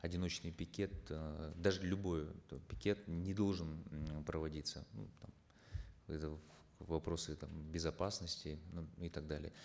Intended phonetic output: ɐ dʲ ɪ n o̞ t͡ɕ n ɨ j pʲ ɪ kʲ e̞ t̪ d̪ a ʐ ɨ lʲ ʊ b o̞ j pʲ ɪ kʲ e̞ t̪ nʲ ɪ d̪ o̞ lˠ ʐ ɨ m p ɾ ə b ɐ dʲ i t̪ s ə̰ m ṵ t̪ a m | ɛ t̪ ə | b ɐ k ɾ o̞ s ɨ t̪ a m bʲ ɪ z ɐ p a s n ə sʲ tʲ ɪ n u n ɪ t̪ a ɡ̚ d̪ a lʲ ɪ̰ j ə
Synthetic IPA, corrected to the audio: ɐ dʲ ɪ n o̞ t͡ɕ n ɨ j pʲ ɪ kʲ e̞ t̪ d̪ a ʐ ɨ lʲ ʊ b o̞ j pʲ ɪ kʲ e̞ t̪ nʲ ɪ d̪ o̞ lˠ ʐ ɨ n p ɾ ə v ɐ dʲ i t̪ s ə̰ n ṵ t̪ a m | ɛ t̪ ə | v ɐ p ɾ o̞ s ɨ t̪ a m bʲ ɪ z ɐ p a s n ə sʲ tʲ ɪ n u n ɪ t̪ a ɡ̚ d̪ a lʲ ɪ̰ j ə